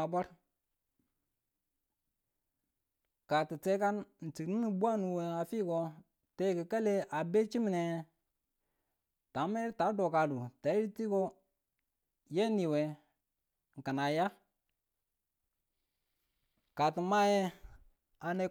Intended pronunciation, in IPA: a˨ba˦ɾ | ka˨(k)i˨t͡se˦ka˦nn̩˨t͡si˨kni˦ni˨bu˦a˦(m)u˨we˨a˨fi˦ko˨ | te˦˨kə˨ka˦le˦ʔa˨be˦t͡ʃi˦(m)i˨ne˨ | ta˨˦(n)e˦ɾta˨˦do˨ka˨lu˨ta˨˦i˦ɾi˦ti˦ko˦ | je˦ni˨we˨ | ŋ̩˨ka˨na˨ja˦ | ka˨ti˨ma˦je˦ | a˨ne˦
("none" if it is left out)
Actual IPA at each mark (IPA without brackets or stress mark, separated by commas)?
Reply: t, n, m, m